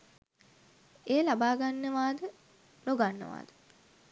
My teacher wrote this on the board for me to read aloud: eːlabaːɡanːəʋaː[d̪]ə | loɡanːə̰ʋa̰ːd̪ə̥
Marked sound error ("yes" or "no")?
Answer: no